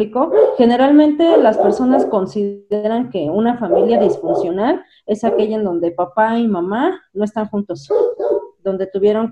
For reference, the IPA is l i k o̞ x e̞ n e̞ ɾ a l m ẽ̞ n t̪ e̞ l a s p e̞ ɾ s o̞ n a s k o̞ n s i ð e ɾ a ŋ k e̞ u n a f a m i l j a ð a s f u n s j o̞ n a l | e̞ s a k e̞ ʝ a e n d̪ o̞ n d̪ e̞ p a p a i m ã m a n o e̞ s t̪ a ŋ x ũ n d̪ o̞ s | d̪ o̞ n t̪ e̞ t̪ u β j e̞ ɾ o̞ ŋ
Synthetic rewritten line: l i k o̞ x e̞ n e̞ ɾ a l m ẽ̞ n t̪ e̞ l a s p e̞ ɾ s o̞ n a s k o̞ n s i ð e ɾ a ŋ k e̞ u n a f a m i l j a ð i s f u n s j o̞ n a l | e̞ s a k e̞ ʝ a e n d̪ o̞ n d̪ e̞ p a p a i m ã m a n o e̞ s t̪ a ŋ x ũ n t̪ o̞ s | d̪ o̞ n d̪ e̞ t̪ u β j e̞ ɾ o̞ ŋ